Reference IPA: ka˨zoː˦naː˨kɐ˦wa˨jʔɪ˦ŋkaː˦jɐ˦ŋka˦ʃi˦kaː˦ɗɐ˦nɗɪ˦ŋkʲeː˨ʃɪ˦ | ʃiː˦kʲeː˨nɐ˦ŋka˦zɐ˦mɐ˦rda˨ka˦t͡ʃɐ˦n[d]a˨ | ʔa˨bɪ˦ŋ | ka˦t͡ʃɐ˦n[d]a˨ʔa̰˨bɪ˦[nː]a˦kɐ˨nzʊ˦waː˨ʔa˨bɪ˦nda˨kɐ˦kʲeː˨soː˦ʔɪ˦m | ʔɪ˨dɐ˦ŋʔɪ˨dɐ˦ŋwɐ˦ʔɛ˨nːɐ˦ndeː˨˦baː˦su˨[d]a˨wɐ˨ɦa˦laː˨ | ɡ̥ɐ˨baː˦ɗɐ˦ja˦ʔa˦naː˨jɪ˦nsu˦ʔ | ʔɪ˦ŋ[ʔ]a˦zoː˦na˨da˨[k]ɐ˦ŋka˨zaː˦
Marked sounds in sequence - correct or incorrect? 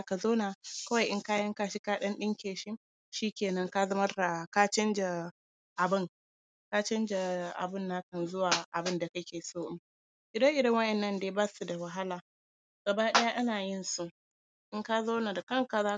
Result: incorrect, incorrect, correct, correct, incorrect, correct

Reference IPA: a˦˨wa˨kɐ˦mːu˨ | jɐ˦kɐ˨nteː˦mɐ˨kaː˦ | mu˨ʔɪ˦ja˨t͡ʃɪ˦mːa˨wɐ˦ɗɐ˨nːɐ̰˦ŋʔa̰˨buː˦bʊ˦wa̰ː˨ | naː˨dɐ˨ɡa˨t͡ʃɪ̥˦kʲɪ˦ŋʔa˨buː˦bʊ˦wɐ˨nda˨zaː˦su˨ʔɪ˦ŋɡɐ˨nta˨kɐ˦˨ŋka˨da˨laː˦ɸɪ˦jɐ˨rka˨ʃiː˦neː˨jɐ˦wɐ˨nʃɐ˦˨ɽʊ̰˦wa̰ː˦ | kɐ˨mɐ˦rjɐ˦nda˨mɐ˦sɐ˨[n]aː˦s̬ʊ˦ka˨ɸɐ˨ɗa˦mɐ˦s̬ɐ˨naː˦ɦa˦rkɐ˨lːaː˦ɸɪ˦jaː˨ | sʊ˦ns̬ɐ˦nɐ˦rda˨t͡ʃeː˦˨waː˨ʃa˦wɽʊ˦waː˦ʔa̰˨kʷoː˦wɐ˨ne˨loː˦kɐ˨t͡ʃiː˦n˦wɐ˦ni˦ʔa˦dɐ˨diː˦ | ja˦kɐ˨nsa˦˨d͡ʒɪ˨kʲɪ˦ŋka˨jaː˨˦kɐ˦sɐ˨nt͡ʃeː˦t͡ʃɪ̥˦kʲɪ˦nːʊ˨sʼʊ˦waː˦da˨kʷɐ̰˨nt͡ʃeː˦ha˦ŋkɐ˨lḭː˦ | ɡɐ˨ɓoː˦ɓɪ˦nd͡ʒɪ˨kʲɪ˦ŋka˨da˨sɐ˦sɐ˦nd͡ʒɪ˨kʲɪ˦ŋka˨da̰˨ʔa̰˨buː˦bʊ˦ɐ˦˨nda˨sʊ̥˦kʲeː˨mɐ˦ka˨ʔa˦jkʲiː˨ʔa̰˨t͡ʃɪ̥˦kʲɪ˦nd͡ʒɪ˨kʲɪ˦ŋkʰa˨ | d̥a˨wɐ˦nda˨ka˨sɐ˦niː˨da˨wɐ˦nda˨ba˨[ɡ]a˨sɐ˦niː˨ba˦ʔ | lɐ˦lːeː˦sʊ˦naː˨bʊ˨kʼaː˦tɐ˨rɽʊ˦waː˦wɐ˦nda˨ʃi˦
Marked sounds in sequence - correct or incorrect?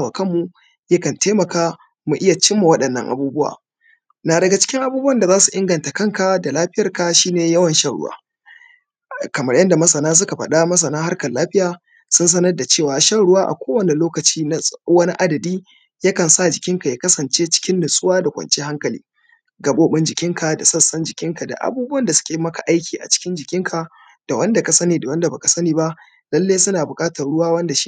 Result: correct, incorrect

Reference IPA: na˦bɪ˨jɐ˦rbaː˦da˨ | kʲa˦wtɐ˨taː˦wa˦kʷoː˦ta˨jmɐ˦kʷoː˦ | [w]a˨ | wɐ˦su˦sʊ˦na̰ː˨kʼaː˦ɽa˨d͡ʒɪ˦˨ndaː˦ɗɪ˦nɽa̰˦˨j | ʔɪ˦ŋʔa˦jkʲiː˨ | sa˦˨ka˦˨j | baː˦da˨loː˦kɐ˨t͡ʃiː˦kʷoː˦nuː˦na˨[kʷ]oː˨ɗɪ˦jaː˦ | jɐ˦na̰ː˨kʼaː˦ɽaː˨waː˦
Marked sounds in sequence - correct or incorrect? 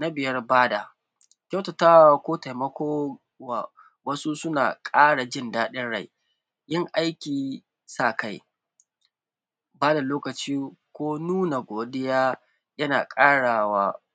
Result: correct, incorrect

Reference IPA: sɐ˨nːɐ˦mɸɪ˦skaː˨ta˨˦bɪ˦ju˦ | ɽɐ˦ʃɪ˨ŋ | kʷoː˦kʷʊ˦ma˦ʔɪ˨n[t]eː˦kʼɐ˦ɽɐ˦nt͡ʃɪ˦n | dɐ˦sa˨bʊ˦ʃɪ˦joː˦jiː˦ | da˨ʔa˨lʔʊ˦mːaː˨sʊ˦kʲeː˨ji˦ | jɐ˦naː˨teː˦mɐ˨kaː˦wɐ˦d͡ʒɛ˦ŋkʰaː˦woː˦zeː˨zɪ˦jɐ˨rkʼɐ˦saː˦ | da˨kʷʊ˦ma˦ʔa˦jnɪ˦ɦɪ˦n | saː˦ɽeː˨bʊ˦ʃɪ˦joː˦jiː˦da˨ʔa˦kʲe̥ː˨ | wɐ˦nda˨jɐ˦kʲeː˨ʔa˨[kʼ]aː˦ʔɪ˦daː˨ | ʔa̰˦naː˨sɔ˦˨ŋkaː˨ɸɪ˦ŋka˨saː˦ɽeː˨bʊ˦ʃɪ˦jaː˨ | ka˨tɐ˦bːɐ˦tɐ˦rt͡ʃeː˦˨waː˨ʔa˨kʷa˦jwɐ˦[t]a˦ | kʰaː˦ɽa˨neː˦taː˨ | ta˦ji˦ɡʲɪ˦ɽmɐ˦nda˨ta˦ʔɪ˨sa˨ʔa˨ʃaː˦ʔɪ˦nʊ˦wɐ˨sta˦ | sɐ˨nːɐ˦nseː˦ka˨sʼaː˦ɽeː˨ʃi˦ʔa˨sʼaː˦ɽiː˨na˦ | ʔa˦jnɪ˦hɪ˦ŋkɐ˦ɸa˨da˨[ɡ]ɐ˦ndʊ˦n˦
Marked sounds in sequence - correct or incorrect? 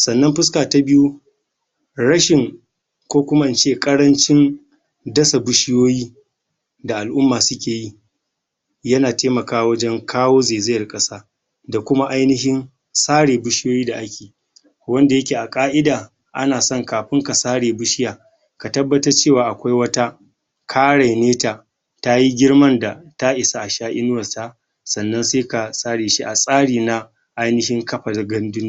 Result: incorrect, correct, correct, correct

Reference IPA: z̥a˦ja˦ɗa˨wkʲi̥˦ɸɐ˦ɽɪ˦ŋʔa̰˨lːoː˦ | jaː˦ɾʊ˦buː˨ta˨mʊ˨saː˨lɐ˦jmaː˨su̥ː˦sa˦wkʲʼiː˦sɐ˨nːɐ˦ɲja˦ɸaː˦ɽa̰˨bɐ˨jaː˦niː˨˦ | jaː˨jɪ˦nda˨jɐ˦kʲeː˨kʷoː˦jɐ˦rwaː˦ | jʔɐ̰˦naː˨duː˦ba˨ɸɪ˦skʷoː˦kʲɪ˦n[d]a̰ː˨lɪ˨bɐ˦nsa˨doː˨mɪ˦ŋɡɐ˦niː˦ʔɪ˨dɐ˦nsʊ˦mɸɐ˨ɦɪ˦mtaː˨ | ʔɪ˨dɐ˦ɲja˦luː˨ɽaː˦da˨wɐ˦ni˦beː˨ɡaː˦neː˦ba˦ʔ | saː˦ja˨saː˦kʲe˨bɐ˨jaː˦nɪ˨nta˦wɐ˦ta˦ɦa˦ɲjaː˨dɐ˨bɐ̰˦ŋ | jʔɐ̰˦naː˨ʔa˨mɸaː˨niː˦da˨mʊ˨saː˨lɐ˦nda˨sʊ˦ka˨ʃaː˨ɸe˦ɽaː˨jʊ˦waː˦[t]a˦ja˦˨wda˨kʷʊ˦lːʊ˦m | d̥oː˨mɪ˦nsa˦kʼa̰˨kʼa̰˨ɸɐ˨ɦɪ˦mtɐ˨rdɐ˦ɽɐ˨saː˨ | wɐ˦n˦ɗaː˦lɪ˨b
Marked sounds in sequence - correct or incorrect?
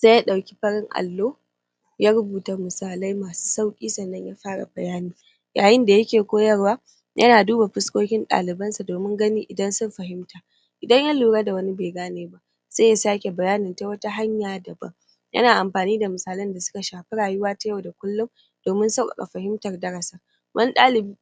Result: incorrect, correct

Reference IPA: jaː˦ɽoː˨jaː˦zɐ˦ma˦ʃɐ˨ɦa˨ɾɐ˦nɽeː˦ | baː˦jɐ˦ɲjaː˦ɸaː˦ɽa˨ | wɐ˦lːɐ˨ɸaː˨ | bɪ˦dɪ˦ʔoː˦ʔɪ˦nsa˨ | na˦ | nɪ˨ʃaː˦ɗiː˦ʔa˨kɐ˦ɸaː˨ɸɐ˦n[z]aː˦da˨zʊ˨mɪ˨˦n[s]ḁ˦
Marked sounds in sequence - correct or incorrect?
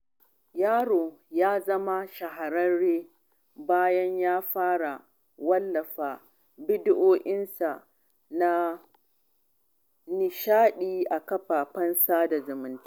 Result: incorrect, incorrect

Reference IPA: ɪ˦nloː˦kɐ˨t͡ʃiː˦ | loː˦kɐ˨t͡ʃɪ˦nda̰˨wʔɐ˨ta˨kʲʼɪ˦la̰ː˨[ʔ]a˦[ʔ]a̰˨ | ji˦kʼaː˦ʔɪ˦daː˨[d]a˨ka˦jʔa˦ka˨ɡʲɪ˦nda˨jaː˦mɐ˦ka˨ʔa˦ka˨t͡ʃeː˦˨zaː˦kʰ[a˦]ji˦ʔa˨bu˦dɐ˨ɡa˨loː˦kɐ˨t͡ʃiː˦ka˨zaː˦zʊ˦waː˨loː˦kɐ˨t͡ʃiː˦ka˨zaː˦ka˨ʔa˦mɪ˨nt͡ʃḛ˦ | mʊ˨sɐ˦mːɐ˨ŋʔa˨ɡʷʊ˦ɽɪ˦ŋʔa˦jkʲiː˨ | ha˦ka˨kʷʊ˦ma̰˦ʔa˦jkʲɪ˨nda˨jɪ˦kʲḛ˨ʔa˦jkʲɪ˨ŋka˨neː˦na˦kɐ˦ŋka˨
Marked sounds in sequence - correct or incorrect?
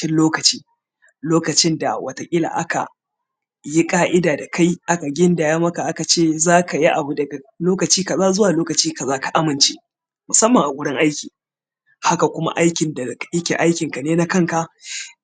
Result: correct, incorrect, correct, incorrect

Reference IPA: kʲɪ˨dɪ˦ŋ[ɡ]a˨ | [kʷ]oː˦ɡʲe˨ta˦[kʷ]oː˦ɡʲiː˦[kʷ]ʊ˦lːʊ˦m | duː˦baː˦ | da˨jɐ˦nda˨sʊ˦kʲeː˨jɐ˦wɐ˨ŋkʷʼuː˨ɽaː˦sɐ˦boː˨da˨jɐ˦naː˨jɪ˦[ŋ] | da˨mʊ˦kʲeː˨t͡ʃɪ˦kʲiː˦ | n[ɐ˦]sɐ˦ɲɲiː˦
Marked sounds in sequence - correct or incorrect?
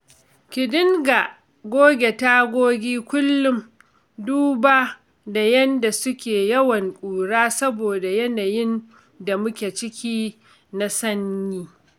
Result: correct, incorrect, incorrect, correct, incorrect, incorrect

